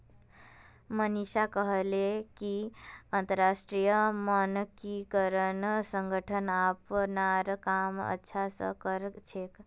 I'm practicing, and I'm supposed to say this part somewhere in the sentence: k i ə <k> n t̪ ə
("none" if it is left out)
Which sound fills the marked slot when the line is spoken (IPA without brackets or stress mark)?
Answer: none